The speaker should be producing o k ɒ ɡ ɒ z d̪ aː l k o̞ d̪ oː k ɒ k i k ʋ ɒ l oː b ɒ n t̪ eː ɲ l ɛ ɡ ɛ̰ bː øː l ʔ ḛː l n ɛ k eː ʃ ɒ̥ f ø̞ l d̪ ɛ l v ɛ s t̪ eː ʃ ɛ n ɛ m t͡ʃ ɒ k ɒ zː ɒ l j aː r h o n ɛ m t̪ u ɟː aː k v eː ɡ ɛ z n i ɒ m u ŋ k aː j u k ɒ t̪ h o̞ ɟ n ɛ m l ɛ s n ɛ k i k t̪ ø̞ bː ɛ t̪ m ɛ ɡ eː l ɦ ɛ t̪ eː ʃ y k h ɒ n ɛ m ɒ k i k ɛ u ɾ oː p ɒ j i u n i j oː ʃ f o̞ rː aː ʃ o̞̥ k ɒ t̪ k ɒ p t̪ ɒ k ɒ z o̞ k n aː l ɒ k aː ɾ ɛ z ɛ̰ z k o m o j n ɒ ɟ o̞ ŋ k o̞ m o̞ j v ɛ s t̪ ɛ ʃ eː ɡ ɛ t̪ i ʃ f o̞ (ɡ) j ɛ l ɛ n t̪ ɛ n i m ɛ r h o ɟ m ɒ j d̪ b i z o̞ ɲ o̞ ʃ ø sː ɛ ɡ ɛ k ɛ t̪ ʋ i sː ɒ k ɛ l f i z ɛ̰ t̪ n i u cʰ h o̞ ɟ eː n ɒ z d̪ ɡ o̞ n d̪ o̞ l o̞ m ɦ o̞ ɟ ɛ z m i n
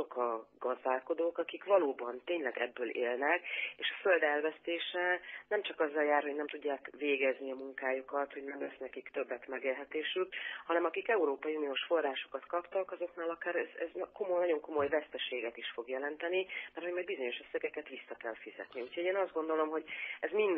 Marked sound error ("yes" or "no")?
no